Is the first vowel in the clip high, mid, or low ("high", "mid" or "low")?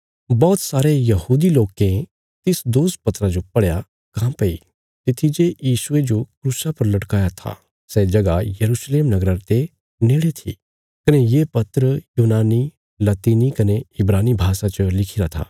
mid